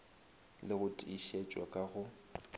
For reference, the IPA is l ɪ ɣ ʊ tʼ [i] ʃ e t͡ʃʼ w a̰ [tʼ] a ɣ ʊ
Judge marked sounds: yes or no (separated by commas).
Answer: yes, no